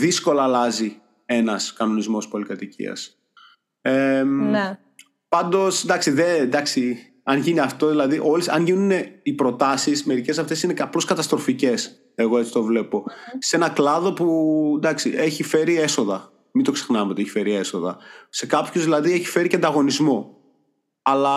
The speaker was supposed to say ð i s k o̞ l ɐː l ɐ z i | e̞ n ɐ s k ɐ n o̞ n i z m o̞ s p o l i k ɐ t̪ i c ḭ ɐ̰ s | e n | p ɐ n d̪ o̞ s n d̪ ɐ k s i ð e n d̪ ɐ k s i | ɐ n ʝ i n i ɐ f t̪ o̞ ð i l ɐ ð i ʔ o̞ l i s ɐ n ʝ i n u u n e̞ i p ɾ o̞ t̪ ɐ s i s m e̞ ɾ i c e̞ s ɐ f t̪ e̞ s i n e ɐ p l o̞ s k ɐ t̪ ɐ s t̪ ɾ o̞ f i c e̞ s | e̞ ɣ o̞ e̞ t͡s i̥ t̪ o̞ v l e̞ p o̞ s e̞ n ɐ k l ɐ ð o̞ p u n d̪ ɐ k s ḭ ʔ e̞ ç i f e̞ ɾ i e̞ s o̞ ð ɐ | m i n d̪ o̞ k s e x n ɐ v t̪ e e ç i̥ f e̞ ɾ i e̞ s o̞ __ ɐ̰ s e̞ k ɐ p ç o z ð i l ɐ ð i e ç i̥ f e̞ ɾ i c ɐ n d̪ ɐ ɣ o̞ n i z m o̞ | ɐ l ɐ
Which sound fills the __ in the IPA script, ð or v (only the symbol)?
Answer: ð